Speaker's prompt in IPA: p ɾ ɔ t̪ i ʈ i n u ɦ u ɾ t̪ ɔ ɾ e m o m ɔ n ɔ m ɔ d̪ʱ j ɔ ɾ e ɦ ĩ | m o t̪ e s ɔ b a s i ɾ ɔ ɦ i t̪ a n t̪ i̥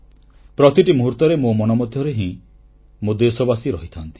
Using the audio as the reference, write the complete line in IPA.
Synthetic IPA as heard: p ɾ ɔ t̪ i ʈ i m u ɦ u ɾ t̪ ɔ ɾ e m o m ɔ n ɔ m ɔ d̪ʱ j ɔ ɾ e ɦ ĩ | m o d̪ e s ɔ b a s i ɾ ɔ ɦ i t̪ʰ a n t̪ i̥